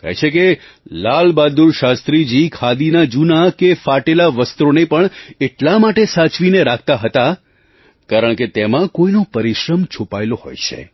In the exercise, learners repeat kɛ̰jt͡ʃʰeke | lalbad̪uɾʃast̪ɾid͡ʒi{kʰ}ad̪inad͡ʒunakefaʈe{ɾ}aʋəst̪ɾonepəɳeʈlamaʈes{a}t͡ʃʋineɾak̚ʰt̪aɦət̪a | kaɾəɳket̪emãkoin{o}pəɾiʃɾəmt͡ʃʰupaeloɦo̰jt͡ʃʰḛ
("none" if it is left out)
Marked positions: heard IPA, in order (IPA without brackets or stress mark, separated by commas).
kʰ, l, a, o